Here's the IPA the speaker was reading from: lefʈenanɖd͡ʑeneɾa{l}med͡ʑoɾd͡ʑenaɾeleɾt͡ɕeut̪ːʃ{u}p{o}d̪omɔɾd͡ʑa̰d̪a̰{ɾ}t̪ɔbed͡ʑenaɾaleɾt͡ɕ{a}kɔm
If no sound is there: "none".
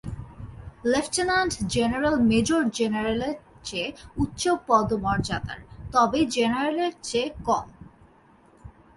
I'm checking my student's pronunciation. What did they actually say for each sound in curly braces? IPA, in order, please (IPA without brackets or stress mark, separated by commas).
l, o, ɔ, ɾ, e